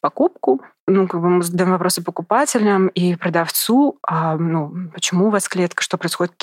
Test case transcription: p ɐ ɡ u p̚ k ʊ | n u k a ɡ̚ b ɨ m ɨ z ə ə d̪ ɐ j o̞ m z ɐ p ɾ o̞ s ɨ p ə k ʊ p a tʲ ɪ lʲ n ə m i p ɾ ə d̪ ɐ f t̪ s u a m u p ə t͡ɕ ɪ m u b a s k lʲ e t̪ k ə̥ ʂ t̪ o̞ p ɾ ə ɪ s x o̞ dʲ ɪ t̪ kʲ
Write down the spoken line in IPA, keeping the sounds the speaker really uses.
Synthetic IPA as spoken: p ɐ k u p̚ k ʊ | n u k a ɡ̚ b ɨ m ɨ z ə ə d̪ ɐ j o̞ m v ɐ p ɾ o̞ s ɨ p ə k ʊ p a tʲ ɪ lʲ n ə m i p ɾ ə d̪ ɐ f t̪ s u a n u p ə t͡ɕ ɪ m u v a s k lʲ e t̪ k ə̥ ʂ t̪ o̞ p ɾ ə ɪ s x o̞ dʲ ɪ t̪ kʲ